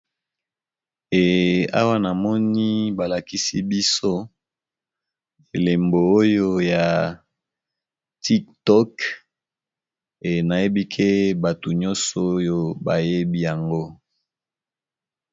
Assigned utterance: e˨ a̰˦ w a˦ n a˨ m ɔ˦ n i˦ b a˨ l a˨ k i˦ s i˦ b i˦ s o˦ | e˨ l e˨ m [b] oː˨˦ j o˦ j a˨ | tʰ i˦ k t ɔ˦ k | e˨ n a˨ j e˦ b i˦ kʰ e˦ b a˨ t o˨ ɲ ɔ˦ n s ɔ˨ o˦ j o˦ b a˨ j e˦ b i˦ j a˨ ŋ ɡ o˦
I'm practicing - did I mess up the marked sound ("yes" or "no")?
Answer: no